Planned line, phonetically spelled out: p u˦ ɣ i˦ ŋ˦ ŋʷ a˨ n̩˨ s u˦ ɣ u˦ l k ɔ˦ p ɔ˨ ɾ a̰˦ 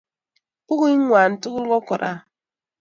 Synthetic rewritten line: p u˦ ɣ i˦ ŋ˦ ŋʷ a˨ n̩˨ t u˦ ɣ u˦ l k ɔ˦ k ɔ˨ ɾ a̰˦